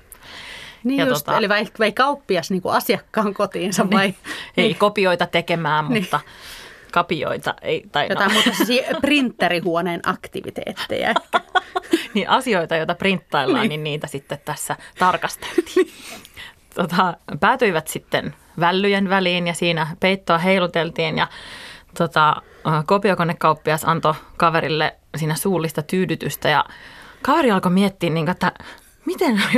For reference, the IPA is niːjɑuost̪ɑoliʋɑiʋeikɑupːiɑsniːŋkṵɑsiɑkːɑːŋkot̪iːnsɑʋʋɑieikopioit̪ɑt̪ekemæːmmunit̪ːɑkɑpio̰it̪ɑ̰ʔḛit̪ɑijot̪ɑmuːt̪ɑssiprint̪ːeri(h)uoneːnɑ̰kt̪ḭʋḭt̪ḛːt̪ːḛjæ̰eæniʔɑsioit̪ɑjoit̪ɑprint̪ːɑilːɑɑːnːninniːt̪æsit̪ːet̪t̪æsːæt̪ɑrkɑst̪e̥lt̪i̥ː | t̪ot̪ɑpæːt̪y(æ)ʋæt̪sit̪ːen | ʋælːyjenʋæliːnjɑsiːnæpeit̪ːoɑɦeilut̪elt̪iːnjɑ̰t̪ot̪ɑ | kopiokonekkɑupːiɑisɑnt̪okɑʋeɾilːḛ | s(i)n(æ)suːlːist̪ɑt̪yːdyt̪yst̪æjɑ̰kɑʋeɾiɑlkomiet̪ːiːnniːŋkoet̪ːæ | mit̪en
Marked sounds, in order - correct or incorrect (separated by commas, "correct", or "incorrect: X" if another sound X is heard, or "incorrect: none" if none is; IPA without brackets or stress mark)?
correct, incorrect: i, incorrect: iː, correct